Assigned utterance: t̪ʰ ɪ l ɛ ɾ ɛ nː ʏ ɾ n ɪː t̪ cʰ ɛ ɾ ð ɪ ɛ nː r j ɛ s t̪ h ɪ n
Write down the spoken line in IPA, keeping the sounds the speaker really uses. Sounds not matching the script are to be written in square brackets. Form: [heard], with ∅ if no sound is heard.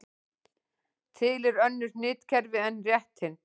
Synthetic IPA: t̪ʰ ɪ l ɛ ɾ [œ] nː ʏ ɾ n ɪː t̪ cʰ ɛ ɾ [v] ɪ ɛ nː r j ɛ [h] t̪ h ɪ n